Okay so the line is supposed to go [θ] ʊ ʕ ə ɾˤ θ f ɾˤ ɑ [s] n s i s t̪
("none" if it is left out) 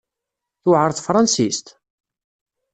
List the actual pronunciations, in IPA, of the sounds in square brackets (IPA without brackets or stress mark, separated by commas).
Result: θ, none